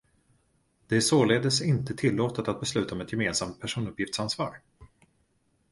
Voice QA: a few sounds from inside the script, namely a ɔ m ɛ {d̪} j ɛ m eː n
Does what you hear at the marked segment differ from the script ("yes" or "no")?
yes